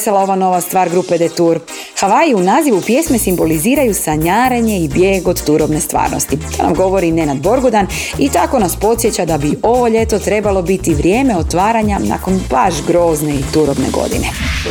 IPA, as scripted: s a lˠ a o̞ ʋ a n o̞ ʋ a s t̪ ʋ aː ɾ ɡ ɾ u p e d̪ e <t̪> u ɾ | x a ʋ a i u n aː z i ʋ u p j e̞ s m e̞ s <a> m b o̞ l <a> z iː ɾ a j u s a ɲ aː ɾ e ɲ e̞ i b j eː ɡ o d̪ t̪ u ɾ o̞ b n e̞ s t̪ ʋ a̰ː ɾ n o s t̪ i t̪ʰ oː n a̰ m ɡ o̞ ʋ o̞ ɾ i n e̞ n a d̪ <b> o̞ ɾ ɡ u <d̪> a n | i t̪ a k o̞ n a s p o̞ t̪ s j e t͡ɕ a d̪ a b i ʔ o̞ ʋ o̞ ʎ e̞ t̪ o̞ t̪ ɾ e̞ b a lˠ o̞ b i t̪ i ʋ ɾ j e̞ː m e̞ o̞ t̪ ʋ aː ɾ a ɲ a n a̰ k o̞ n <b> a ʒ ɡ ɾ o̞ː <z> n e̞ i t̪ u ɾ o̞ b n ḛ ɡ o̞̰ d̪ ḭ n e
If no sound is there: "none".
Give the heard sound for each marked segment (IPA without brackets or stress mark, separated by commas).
t̪, i, i, b, d̪, b, z